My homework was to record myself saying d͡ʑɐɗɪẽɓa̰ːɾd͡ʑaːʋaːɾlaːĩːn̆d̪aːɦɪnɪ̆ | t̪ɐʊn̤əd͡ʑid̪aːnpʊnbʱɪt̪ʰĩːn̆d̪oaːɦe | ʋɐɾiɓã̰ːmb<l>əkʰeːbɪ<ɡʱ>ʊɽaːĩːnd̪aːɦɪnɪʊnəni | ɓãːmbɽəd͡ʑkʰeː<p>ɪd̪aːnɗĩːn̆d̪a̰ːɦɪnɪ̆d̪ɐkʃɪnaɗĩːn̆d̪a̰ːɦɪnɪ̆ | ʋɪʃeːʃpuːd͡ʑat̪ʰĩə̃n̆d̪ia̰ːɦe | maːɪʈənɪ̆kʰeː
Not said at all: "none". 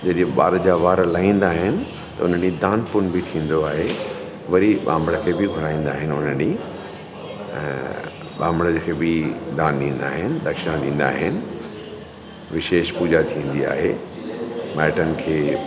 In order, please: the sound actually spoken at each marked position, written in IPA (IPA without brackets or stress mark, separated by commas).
ɽ, ɡʱ, b